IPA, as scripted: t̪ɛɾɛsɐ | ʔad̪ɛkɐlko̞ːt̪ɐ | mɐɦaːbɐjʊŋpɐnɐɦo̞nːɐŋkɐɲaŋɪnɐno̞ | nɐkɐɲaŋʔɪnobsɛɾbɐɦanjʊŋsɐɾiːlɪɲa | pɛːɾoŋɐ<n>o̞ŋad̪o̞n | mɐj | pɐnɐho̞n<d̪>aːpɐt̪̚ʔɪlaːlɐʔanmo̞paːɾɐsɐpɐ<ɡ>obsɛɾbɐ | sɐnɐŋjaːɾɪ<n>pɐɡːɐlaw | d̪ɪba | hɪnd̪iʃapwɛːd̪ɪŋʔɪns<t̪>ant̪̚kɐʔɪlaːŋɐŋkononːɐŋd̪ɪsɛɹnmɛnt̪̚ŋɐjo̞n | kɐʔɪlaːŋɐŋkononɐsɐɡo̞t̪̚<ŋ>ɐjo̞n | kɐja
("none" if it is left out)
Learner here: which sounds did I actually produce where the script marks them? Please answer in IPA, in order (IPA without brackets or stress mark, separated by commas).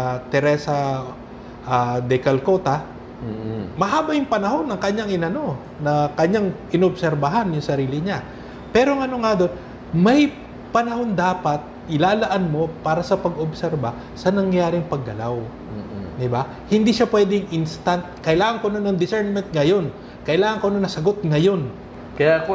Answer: n, d̪, ɡ, ŋ, t̪, ŋ